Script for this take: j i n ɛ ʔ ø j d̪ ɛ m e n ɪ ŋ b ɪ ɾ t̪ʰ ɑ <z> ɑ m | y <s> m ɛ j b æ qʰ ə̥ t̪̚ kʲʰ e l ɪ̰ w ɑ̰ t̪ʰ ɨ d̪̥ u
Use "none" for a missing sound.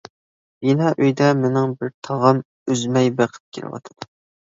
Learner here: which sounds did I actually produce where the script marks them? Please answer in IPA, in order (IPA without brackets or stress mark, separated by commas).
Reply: ʁ, z